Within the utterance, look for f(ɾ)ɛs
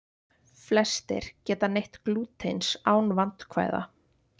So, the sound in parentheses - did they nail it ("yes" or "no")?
no